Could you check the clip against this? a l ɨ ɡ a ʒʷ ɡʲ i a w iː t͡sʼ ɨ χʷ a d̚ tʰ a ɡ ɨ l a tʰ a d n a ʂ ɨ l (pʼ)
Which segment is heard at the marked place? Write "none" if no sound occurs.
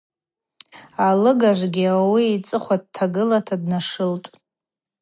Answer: tʼ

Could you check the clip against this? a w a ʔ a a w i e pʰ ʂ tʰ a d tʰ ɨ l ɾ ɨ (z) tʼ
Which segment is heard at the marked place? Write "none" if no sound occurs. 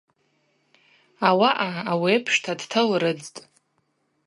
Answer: d͡z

